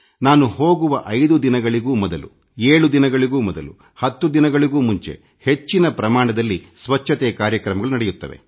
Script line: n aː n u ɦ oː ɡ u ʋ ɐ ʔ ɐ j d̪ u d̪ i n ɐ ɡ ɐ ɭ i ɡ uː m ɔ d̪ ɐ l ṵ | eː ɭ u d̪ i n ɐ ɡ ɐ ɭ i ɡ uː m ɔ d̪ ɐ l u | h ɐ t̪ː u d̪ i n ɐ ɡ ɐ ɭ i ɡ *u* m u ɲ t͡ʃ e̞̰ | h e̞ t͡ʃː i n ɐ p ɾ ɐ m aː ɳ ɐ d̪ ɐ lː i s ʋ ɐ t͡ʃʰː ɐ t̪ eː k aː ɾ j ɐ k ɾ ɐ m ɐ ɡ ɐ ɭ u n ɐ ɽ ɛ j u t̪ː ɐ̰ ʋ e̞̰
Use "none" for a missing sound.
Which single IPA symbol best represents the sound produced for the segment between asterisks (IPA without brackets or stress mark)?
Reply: uː